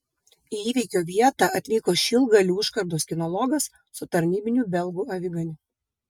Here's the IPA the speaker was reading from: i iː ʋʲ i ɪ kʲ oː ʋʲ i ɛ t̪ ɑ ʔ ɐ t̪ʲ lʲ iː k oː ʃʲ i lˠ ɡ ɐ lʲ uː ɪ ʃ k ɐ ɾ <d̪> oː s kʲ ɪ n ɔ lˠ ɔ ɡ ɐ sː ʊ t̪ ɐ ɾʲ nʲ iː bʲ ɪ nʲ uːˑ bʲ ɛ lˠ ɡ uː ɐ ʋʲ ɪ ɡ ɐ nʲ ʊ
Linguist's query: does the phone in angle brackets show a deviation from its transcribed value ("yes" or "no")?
no